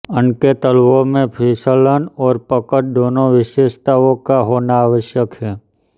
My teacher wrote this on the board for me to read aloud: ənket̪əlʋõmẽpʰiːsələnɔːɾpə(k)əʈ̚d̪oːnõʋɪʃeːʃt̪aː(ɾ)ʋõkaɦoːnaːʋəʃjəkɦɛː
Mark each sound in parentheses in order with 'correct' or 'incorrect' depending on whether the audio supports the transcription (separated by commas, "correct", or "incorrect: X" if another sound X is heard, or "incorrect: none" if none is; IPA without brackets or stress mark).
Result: correct, incorrect: none